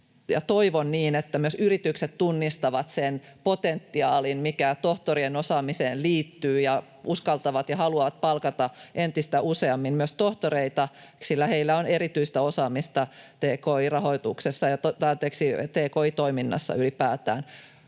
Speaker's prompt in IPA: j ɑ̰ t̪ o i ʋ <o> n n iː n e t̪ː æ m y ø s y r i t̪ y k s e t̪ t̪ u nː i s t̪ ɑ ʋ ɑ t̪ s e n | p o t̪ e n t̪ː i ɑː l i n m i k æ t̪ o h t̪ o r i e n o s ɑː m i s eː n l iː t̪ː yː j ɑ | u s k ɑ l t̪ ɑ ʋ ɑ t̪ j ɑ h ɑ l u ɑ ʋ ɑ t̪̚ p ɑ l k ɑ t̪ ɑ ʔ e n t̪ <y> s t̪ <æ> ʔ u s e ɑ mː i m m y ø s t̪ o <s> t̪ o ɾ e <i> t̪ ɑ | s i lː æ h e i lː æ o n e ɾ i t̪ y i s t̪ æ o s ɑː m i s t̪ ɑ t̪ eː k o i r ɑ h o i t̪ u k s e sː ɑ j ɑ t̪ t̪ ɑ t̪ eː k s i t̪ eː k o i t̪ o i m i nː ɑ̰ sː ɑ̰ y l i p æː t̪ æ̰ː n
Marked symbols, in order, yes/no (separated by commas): yes, no, yes, no, yes